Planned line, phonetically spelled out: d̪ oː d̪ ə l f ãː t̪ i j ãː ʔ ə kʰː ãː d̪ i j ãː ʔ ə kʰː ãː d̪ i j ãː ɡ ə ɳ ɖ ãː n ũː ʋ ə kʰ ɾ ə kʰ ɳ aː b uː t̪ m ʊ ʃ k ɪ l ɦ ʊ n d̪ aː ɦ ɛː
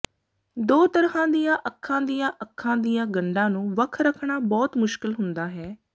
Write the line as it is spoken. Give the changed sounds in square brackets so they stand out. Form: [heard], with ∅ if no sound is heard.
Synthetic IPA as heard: d̪ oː [t̪] ə [ɾ] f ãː [d̪] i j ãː ʔ ə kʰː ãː d̪ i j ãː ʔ ə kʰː ãː d̪ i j ãː ɡ ə ɳ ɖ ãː n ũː ʋ ə kʰ ɾ ə kʰ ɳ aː b [ɔː] t̪ m ʊ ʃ k ɪ l ɦ ʊ n d̪ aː ɦ ɛː